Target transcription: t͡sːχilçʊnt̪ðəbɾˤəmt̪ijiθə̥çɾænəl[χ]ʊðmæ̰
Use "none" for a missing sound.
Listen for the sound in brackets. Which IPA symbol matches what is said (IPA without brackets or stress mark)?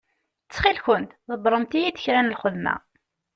χ